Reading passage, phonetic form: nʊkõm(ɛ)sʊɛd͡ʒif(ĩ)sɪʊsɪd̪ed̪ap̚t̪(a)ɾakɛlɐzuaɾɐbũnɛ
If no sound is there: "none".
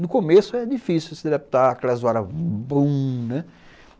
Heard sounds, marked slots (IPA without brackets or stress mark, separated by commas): e, i, a